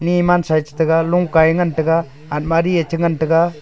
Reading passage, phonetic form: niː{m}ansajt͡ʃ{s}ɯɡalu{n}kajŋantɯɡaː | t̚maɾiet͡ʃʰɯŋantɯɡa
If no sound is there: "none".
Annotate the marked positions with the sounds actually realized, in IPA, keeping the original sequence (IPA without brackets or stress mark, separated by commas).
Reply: m, t, ŋ